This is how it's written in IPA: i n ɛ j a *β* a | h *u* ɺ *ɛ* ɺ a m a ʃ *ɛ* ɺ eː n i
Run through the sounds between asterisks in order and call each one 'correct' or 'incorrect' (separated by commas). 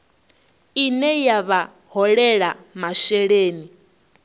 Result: correct, incorrect, correct, correct